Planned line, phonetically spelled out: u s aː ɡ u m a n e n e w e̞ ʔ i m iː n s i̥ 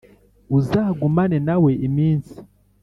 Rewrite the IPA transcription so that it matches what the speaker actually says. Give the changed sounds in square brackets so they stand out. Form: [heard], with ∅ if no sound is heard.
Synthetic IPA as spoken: u [z] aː ɡ u m a n e n [a] w e̞ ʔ i m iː n s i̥